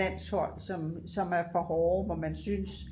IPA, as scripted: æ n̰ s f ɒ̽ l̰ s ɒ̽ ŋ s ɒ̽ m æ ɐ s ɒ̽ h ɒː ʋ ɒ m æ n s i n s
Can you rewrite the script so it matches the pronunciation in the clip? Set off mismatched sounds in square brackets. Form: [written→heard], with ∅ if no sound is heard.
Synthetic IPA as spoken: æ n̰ s [f→h] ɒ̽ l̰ s ɒ̽ [ŋ→m] s ɒ̽ m æ ɐ [s→f] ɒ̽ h ɒː ʋ ɒ m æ n s [i→y] n s